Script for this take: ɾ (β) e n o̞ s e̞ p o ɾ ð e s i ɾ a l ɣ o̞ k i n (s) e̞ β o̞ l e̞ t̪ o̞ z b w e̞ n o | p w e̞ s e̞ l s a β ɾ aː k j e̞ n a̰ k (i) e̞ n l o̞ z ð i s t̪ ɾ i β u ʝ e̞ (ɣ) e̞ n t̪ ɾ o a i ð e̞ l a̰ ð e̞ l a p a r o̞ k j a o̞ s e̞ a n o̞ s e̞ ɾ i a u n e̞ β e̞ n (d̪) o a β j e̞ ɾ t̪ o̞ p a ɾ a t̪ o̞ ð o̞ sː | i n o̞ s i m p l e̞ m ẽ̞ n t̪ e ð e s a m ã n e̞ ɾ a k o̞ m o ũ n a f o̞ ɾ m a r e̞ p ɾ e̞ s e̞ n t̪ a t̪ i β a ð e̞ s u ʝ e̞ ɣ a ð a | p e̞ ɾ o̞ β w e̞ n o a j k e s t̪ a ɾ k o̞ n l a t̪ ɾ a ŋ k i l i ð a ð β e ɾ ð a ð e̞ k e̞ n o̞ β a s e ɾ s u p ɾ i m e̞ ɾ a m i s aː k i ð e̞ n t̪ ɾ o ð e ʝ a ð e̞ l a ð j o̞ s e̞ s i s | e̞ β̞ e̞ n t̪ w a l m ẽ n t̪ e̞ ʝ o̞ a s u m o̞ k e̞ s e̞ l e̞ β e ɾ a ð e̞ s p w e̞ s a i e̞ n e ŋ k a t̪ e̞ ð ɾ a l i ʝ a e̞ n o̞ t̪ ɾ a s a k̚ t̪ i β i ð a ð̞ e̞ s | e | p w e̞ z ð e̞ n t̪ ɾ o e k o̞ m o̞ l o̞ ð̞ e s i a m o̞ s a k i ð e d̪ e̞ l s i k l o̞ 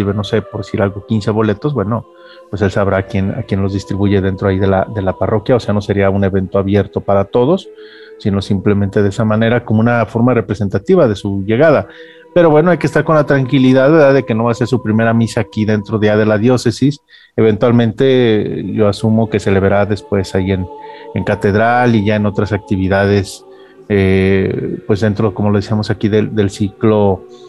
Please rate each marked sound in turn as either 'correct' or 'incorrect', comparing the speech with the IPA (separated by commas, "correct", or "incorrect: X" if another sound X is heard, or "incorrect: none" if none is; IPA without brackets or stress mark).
correct, correct, incorrect: j, incorrect: ð, incorrect: t̪